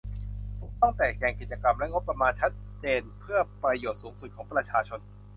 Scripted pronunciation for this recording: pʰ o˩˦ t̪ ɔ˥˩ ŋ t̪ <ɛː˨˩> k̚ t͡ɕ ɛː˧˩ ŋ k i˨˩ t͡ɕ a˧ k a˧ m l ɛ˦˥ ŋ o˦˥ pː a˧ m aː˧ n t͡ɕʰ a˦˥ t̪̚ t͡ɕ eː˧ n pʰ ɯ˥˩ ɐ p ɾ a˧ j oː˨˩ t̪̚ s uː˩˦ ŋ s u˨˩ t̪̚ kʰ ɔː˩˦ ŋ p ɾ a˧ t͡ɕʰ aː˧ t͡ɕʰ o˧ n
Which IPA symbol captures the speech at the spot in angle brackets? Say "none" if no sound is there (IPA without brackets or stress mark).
ɛː˨˩